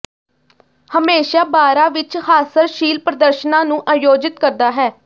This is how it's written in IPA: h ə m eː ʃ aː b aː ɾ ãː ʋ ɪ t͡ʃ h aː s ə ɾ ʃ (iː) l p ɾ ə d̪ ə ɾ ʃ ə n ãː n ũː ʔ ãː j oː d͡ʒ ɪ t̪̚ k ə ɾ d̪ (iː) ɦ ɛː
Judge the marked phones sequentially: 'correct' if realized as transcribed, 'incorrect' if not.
correct, incorrect: aː

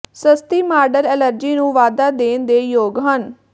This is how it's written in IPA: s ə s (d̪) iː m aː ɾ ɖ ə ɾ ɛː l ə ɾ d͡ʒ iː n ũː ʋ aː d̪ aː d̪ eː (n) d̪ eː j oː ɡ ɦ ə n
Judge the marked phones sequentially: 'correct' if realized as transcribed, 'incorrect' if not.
incorrect: t̪, correct

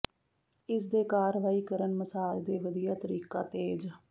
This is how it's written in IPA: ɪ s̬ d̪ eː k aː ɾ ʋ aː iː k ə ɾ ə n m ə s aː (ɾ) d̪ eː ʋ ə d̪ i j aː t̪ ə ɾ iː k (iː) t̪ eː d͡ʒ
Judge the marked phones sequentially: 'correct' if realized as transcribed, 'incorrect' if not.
incorrect: l, incorrect: aː

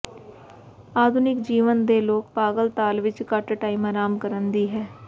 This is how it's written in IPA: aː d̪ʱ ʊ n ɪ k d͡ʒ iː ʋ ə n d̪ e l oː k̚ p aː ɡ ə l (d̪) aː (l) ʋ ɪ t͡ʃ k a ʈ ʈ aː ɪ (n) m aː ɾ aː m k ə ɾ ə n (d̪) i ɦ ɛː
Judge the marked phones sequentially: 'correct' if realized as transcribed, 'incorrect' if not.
incorrect: t̪, correct, incorrect: none, correct

